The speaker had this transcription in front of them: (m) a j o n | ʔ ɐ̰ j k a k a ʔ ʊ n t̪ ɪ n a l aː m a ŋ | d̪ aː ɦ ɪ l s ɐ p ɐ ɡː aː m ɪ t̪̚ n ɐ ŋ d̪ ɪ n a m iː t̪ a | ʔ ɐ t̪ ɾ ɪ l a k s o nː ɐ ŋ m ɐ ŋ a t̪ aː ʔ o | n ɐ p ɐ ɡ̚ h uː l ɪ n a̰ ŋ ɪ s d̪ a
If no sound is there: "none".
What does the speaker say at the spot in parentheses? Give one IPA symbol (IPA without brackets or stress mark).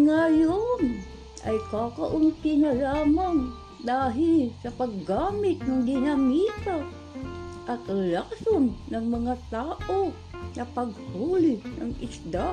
ŋ